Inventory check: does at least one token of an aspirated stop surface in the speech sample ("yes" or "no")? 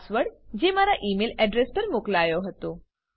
no